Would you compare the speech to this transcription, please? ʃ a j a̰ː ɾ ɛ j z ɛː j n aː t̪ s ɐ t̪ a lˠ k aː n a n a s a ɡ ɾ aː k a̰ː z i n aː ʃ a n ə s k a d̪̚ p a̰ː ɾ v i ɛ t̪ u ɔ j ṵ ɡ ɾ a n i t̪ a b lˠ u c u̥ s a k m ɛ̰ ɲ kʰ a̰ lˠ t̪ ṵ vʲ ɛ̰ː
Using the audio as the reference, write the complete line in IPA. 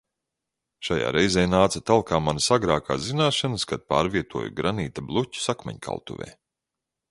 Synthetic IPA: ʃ a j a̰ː ɾ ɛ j z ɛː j n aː t̪ s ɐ t̪ a lˠ k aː m a n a s a ɡ ɾ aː k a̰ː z i n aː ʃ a n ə s k a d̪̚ p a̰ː ɾ v i ɛ t̪ u ɔ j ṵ ɡ ɾ a n iː t̪ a b lˠ u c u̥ s a k m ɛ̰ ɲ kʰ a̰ lˠ t̪ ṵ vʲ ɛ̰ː